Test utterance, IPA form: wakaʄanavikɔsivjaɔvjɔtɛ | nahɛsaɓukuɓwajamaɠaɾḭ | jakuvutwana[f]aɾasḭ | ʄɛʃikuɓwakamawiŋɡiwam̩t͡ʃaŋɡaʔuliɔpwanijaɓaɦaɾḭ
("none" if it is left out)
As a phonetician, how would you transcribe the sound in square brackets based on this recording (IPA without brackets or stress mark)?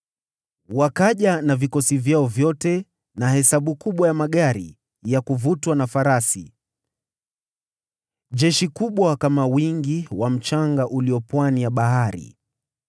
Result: f